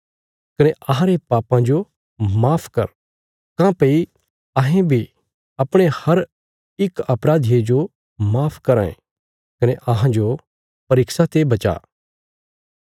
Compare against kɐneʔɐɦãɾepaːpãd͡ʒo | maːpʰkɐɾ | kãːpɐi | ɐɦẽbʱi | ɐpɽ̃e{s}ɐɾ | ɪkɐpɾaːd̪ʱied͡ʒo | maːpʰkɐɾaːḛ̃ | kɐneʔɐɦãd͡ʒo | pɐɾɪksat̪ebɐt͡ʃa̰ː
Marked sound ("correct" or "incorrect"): incorrect